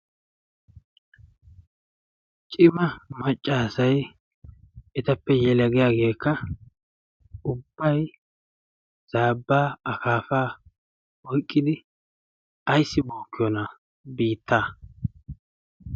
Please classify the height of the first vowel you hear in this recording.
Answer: high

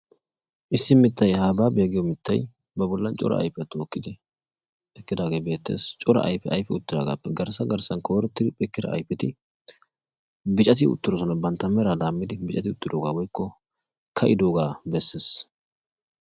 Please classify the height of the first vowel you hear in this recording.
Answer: high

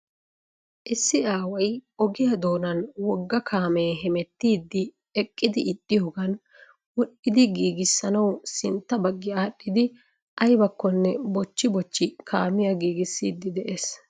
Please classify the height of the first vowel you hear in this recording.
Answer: high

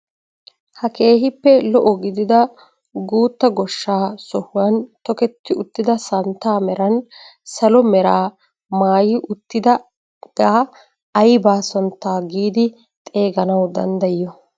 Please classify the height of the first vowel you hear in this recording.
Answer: low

